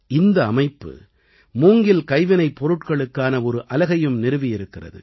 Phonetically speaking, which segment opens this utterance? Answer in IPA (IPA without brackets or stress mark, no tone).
ɪ